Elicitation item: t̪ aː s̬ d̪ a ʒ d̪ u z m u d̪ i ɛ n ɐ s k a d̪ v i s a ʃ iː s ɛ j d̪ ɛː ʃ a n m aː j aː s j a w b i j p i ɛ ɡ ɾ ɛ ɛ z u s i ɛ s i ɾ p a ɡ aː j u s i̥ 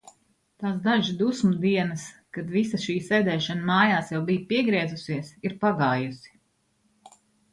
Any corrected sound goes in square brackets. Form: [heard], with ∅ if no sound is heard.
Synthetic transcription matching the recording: t̪ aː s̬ d̪ a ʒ d̪ u [s] m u d̪ i ɛ n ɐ s k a d̪ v i s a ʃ iː s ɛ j d̪ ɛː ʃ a n m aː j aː s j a w b i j p i ɛ ɡ ɾ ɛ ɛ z u s i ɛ s i ɾ p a ɡ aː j u s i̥